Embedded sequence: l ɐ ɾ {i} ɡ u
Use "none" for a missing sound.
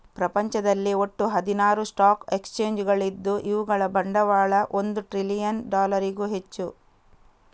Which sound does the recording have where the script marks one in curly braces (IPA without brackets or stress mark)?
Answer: i